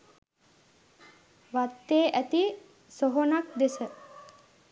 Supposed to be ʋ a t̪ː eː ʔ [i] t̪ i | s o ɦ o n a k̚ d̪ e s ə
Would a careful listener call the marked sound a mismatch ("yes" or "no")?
yes